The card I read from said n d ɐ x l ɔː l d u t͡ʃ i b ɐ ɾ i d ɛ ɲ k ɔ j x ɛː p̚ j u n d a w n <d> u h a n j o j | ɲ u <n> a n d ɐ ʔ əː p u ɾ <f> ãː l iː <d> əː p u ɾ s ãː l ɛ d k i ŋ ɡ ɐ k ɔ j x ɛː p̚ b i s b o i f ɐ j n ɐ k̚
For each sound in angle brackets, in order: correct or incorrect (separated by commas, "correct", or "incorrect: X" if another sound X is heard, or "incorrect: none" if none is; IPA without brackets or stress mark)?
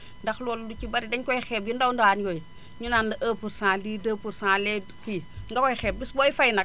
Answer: correct, correct, incorrect: s, correct